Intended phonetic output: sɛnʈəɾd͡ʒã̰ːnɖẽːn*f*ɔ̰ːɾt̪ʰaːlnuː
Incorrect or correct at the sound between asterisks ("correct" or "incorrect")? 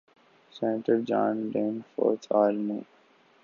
correct